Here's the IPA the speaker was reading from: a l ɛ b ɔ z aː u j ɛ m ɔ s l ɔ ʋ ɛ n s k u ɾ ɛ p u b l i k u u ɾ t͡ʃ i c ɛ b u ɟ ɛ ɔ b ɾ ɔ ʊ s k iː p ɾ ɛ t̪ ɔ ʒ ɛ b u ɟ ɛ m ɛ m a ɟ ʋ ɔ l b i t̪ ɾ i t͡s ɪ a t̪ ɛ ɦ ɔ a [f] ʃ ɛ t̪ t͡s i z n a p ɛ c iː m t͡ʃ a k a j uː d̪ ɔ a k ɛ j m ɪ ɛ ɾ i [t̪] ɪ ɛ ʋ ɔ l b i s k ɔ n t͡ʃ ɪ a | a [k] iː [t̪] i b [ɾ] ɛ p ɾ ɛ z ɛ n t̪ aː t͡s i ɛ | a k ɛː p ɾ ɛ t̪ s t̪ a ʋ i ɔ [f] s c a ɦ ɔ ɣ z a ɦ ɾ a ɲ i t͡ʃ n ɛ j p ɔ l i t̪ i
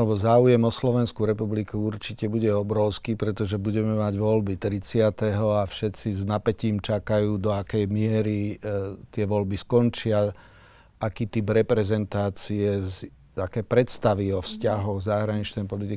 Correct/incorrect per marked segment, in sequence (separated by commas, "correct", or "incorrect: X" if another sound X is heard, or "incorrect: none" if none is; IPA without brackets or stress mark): correct, correct, correct, correct, correct, correct